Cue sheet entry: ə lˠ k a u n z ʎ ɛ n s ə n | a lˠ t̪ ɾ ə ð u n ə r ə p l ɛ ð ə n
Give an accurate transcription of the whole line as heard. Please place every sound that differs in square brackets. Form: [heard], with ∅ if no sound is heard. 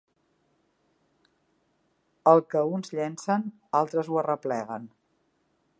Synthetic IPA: ə lˠ k [ə] u n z ʎ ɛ n s ə n | a lˠ t̪ ɾ ə [z] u [∅] ə r ə p l ɛ [ɣ] ə n